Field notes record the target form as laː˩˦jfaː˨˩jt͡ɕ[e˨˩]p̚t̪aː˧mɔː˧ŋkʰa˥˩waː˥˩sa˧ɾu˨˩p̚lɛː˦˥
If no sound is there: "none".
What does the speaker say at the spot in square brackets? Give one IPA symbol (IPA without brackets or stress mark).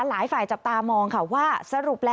a˨˩